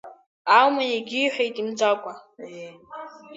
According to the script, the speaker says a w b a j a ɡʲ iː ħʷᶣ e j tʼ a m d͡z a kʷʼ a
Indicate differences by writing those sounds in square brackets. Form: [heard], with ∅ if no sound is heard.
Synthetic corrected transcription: a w [m] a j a ɡʲ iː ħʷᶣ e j tʼ [i] m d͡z a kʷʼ a